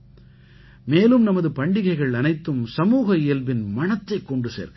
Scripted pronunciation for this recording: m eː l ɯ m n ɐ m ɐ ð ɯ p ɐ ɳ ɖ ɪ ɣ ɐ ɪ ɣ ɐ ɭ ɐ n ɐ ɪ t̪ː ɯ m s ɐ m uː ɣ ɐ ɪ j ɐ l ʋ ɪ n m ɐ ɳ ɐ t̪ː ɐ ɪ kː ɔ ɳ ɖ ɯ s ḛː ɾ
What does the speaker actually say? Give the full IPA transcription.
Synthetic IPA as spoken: m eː l ɯ m n ɐ m ɐ ð ɯ p ɐ ɳ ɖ ɪ ɣ ɐ ɪ ɣ ɐ ɭ ɐ n ɐ ɪ t̪ː ɯ m s ɐ m uː ɣ ɐ ɪ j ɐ l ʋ ɪ n m ɐ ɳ ɐ t̪ː ɐ ɪ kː ɔ ɳ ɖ ɯ s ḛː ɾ